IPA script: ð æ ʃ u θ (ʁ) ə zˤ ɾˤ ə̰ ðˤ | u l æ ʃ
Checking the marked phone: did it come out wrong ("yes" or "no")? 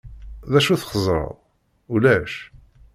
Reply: yes